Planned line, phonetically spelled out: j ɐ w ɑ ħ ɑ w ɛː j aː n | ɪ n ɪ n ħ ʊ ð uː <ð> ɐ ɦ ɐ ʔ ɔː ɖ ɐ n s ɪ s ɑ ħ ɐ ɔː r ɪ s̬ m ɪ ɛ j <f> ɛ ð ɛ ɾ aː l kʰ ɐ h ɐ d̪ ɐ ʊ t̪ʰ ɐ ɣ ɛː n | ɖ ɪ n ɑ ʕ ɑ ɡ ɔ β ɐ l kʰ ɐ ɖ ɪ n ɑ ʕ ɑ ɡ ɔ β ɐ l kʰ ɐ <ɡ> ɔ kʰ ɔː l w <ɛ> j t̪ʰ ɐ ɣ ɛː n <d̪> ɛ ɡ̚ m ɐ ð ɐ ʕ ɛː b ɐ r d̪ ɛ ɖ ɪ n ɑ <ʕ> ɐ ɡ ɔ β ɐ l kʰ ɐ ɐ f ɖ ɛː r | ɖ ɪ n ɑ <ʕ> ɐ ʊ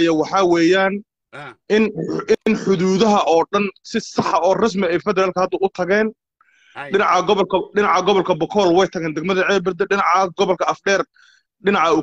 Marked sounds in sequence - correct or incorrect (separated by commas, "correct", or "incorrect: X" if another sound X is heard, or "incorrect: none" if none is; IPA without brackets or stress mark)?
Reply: correct, correct, incorrect: b, correct, correct, correct, correct